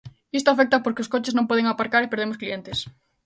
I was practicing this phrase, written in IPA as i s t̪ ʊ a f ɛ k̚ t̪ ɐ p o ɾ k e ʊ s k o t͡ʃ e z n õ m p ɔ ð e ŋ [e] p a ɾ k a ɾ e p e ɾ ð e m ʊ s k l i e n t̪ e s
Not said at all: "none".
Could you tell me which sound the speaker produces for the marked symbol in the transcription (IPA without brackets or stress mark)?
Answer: a